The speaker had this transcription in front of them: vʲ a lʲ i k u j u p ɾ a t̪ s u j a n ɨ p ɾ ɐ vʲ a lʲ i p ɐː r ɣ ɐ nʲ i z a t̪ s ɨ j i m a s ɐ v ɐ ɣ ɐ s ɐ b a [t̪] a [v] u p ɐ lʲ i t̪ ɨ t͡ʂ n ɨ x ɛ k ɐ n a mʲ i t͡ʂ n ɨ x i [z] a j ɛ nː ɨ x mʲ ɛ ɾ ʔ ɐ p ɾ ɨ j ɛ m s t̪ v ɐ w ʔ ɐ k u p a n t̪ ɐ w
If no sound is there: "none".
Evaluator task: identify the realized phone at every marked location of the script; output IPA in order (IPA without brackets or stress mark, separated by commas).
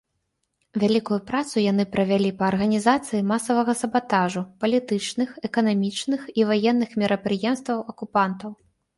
t̪, ʐ, v